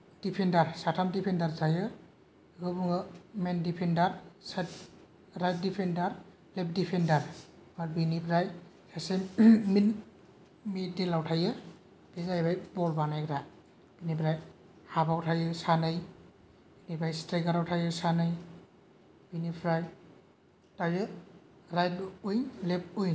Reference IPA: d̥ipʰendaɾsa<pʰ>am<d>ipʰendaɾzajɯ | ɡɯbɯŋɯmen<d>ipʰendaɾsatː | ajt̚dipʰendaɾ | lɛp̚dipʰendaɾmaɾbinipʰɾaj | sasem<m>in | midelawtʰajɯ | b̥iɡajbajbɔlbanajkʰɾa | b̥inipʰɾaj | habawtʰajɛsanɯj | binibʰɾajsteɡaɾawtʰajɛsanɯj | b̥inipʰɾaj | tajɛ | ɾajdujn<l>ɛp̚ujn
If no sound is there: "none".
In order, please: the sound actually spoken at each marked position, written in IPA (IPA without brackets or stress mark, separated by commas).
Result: tʰ, d, d, m, l